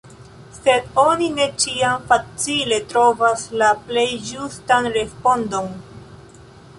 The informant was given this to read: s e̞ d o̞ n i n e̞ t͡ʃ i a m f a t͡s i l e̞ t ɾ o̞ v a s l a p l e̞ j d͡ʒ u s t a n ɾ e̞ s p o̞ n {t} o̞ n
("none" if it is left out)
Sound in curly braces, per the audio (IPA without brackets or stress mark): d